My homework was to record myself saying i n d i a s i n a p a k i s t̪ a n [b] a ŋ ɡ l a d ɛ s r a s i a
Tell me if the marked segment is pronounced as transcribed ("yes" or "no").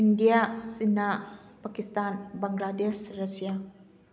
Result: yes